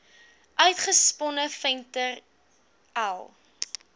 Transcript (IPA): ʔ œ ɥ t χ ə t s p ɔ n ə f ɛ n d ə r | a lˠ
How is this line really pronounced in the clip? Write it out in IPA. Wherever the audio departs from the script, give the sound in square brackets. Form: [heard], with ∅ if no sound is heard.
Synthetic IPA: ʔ œ ɥ t χ ə [∅] s p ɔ n ə f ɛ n [t] ə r | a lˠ

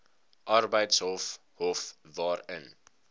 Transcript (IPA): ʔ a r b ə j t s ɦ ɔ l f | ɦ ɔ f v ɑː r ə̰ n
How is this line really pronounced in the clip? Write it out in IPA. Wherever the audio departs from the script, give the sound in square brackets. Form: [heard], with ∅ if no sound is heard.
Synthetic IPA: ʔ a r b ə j t s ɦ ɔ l f | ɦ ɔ f v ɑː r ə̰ n

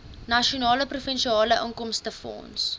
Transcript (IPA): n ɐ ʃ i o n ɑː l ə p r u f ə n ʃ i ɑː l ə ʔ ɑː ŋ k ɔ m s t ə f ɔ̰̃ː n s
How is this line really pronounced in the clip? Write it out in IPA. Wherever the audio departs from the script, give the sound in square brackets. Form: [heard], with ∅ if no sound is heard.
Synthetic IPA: n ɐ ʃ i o n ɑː l ə p r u f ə n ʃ i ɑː l ə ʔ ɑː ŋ k ɔ m s t ə f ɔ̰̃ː n s

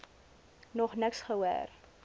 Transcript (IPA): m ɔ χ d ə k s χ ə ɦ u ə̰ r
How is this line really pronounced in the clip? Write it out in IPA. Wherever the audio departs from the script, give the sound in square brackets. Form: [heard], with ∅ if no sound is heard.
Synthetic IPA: [n] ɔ χ [n] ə k s χ ə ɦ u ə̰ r

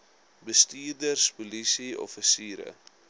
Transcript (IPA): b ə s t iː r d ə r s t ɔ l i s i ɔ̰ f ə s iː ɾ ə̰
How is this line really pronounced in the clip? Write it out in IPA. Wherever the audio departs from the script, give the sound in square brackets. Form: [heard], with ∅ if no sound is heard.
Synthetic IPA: b ə s t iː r d ə r s [p] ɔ l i s i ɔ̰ f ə s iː ɾ ə̰

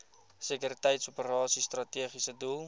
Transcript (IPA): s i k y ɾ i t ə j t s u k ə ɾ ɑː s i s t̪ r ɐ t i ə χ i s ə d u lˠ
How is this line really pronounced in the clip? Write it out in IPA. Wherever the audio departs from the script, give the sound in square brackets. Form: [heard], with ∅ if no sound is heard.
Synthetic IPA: s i k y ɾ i t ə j t s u [p] ə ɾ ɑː s i s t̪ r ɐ t i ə χ i s ə d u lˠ

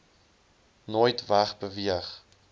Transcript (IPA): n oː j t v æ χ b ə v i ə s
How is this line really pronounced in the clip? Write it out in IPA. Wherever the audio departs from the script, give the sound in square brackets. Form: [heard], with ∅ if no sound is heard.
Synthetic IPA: n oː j t v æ χ b ə v i ə [χ]

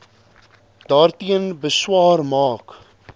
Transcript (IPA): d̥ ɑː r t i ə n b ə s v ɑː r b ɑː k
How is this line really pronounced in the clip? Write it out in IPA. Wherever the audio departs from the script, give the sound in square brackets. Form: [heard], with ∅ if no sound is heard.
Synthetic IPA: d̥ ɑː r t i ə n b ə s [w] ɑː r [m] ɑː k

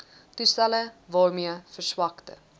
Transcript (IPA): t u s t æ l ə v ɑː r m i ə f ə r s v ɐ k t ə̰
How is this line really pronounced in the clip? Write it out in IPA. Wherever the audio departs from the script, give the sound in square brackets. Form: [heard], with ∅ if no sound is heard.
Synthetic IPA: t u s t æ l ə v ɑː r m i ə f ə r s [w] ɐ k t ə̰

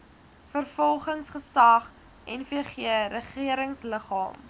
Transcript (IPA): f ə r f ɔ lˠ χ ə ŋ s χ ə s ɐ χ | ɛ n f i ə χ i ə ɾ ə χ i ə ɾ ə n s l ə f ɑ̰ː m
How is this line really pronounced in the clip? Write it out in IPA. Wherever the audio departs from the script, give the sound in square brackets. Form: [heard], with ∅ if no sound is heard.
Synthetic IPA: f ə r f ɔ lˠ χ ə ŋ s χ ə s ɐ χ | ɛ n f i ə χ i ə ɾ ə χ i ə ɾ ə [ŋ] s l ə [χ] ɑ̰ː m

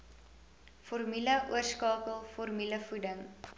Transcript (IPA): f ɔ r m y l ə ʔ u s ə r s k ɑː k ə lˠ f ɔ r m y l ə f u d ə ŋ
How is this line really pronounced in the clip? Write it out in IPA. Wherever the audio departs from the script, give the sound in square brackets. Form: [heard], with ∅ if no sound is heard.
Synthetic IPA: f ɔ r m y l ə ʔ u [∅] ə r s k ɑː k ə lˠ f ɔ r m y l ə f u d ə ŋ

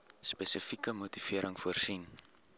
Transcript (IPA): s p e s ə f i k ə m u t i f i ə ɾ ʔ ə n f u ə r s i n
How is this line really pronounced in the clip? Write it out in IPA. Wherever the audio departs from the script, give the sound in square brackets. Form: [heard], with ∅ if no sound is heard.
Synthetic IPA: s p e s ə f i k ə m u t i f i ə ɾ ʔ ə [ŋ] f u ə r s i n

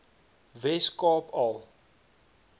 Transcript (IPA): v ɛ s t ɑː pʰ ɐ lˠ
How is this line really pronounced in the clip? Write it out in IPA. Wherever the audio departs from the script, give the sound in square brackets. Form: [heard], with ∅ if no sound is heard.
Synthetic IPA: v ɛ s [k] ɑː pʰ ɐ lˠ

